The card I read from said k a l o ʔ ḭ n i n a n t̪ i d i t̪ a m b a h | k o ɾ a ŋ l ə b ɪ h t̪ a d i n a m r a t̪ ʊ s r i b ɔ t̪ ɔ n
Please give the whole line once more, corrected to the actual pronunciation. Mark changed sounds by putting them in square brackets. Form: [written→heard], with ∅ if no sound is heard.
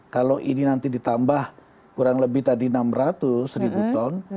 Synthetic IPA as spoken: k a l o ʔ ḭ n i n a n t̪ i d i t̪ a m b a h | k [o→u] ɾ a ŋ l ə b ɪ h t̪ a d i n a m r a t̪ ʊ s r i b [ɔ→u] t̪ ɔ n